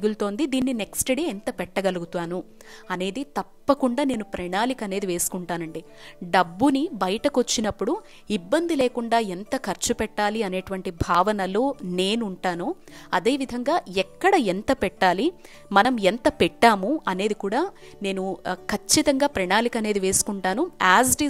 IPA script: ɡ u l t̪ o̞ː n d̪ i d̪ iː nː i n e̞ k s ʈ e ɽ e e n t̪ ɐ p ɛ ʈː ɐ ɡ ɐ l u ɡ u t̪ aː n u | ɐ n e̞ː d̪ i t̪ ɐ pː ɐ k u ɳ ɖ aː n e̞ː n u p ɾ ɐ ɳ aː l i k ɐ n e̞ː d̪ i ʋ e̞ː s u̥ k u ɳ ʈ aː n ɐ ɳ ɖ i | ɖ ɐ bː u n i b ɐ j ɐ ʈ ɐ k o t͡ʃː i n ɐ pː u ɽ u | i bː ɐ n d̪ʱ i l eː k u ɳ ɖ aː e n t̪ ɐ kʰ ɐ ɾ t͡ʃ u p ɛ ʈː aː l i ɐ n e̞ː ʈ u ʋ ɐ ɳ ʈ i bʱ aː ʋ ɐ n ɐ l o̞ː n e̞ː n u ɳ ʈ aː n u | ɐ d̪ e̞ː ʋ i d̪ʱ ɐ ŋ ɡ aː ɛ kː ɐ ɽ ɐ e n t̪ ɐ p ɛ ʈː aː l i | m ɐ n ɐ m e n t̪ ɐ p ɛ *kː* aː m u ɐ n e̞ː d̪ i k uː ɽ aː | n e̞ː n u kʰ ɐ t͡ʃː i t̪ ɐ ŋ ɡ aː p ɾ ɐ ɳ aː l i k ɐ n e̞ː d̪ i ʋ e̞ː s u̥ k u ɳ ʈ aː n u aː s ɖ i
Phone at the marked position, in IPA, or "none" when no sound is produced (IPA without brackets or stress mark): ʈː